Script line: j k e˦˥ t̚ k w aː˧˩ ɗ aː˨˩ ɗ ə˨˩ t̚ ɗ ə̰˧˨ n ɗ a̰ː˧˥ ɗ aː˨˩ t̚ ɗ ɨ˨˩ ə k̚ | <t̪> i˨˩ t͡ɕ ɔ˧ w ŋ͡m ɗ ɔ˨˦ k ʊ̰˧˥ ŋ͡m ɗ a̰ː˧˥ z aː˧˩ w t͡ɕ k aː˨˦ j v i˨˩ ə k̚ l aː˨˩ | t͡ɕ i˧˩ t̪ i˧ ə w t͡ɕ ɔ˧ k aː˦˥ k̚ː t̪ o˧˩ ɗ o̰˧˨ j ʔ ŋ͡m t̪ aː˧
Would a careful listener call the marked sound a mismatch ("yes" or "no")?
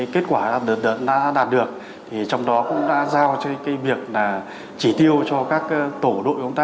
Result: yes